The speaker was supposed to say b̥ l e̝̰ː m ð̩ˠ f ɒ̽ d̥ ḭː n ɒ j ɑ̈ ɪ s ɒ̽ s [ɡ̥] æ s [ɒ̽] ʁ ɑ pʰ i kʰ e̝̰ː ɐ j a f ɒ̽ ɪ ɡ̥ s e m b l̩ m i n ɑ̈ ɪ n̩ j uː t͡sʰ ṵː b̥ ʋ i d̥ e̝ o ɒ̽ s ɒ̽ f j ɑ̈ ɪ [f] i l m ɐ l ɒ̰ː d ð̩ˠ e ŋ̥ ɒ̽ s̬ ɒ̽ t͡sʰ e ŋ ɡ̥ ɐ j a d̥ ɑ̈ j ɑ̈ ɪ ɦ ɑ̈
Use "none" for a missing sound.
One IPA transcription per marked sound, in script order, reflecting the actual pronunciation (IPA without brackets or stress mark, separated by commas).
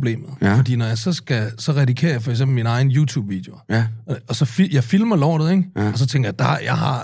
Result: ɡ̥, ɒ̽, f